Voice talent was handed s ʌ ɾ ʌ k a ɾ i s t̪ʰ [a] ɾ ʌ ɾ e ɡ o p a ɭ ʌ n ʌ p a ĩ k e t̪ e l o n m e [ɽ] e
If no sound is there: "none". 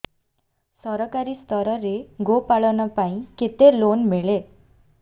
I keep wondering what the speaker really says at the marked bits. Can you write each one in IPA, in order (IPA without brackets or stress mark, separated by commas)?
ʌ, ɭ